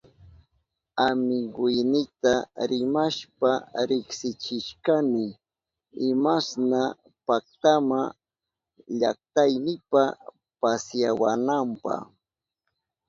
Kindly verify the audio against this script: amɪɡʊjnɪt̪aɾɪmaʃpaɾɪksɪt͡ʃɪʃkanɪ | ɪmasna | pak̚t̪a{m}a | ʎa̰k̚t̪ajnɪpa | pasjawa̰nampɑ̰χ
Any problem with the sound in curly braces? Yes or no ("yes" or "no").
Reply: no